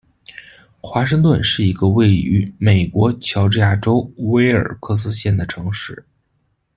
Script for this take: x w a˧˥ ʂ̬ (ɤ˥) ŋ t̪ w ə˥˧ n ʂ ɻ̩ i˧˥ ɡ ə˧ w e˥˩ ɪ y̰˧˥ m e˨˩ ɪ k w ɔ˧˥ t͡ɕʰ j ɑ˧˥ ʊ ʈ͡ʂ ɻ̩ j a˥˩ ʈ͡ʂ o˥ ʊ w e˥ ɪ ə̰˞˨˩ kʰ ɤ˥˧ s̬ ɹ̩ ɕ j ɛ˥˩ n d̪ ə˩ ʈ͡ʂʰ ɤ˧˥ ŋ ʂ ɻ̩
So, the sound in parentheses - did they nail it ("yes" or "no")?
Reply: no